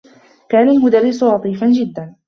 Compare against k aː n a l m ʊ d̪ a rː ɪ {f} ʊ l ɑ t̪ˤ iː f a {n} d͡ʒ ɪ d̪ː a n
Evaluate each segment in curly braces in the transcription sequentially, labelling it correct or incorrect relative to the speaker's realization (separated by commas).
incorrect, correct